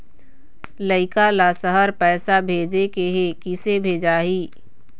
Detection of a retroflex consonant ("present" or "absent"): absent